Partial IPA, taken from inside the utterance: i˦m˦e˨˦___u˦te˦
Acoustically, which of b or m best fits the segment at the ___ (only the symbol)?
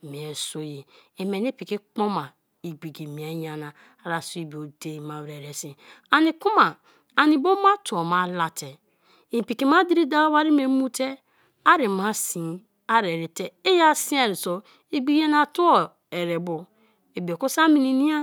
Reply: m